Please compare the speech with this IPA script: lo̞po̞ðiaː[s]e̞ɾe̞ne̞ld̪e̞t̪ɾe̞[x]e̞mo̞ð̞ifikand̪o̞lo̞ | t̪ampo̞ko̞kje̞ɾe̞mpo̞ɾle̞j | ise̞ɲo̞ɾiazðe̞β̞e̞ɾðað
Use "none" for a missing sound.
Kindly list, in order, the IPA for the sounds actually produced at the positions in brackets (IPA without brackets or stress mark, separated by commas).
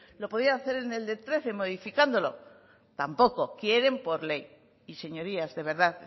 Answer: θ, θ